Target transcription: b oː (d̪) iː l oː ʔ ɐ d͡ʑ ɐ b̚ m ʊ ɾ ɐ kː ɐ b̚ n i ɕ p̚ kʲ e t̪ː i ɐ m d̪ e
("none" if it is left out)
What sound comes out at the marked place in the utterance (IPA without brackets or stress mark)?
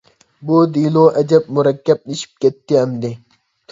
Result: d̪